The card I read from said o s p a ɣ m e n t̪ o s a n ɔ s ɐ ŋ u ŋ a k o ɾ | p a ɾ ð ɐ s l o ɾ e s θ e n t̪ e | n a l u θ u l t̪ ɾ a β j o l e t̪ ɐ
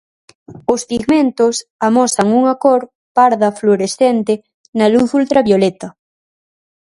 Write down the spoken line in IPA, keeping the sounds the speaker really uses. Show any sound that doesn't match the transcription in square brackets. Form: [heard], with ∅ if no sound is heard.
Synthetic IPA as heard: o s p [i] ɣ m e n t̪ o s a [m] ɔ s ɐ ŋ u ŋ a k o ɾ | p a ɾ ð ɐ [f] l o ɾ e s θ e n t̪ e | n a l u θ u l t̪ ɾ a β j o l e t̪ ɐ